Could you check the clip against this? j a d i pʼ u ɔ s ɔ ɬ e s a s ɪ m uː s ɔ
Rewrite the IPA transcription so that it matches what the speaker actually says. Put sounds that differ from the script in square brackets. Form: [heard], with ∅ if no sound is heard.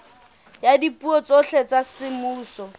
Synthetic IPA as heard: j a d i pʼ u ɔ [t͡s] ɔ ɬ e [t͡s] a s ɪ m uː s ɔ